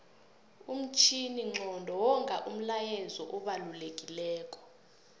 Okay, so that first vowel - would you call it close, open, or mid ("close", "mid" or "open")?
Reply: close